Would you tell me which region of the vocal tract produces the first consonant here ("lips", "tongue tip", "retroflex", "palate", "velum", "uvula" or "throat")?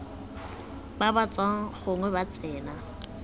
lips